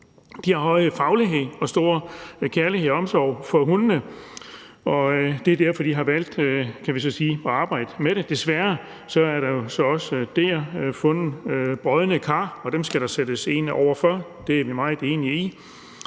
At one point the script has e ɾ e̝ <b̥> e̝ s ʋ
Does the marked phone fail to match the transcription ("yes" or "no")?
yes